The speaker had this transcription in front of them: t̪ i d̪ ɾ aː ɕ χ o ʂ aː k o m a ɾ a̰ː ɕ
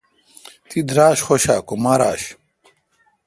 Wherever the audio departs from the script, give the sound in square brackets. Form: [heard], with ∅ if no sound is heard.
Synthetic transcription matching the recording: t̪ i d̪ ɾ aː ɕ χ o [ɕ] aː k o m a ɾ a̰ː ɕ